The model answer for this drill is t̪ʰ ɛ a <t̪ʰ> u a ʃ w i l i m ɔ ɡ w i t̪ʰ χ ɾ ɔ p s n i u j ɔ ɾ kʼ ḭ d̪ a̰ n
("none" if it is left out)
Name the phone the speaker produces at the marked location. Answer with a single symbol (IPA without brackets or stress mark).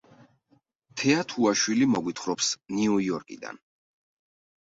t̪ʰ